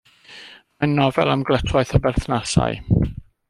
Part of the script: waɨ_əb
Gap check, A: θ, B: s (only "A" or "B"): A